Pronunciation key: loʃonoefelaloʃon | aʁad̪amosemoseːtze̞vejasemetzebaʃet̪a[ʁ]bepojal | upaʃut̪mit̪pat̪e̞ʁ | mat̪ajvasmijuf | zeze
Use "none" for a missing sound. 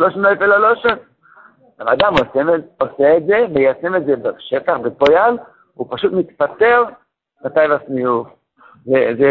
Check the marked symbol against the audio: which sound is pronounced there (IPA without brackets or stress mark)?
χ